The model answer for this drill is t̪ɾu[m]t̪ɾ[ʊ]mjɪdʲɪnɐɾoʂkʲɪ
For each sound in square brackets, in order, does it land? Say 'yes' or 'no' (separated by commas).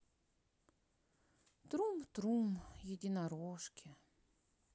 yes, no